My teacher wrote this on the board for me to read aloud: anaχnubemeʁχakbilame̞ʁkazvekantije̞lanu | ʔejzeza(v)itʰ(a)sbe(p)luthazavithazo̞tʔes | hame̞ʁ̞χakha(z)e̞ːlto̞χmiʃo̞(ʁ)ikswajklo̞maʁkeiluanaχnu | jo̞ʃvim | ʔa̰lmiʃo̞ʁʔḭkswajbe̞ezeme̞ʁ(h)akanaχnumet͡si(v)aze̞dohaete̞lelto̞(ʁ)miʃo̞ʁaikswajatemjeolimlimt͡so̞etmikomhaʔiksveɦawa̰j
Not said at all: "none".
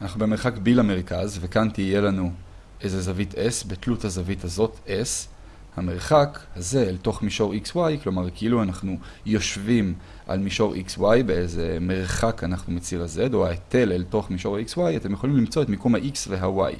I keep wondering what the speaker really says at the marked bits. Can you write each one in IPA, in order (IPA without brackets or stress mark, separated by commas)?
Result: v, e, t, z, ʁ, χ, ʁ, χ